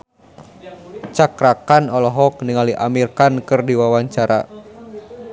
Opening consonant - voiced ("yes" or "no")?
no